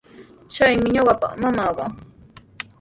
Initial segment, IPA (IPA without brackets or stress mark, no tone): t͡ʃ